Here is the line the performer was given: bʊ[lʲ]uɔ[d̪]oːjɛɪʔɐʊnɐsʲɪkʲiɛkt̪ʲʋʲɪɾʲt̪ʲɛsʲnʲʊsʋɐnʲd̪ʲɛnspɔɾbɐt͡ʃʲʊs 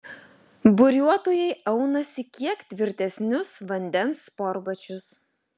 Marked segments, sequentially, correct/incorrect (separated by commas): incorrect, incorrect